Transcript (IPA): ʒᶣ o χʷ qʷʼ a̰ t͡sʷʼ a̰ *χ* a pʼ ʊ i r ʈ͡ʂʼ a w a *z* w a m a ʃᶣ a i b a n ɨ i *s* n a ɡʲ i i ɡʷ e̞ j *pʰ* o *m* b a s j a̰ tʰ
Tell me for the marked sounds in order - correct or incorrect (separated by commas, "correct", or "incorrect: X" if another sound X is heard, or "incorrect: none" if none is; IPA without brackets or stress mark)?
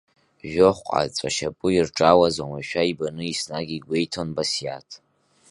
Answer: incorrect: ʃ, correct, correct, incorrect: tʰ, incorrect: n